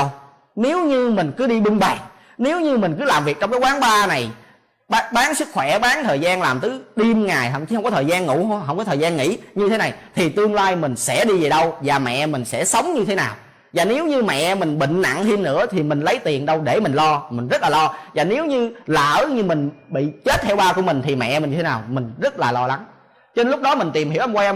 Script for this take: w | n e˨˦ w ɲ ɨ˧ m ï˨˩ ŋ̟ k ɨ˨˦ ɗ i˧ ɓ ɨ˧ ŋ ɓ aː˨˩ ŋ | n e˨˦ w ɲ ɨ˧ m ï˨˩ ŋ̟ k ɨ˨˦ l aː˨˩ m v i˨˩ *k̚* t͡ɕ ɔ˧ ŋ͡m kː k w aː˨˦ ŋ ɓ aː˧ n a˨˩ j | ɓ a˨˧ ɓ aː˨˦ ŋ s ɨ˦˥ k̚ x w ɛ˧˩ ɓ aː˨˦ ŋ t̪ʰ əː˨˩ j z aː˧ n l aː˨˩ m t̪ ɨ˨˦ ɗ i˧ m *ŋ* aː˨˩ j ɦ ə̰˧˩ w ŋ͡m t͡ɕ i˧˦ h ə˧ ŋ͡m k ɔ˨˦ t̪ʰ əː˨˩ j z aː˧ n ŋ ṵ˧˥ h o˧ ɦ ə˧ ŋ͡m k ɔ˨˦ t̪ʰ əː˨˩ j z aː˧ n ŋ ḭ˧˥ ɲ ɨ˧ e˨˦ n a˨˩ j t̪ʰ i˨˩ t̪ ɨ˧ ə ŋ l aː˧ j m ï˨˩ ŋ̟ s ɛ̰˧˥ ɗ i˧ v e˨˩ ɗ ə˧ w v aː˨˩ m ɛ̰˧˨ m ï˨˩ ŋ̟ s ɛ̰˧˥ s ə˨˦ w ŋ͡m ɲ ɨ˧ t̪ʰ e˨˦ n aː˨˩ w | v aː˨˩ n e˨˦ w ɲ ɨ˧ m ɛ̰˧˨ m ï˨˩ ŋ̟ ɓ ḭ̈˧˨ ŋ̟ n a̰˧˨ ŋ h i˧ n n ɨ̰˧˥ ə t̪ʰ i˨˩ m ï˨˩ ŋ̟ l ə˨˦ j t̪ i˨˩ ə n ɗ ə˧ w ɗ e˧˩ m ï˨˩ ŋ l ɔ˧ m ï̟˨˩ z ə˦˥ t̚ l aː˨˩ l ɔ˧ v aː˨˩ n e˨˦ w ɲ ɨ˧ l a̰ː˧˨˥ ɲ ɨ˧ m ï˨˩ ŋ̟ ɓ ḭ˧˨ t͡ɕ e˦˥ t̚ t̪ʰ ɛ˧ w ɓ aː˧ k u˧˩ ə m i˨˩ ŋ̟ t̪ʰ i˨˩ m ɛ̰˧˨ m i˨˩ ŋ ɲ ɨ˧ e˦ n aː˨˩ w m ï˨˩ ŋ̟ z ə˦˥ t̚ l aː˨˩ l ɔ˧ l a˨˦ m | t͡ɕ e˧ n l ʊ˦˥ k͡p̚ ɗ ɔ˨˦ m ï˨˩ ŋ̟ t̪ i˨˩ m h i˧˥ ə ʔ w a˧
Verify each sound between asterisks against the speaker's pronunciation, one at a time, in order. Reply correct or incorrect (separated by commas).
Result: correct, correct